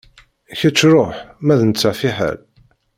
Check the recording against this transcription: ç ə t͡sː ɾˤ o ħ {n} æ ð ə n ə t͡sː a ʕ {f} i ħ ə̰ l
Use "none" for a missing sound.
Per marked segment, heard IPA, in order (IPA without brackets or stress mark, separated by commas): m, f